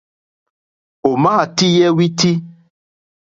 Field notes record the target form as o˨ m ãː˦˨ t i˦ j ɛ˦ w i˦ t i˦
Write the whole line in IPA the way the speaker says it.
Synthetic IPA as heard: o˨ m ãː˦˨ t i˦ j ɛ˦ w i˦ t i˦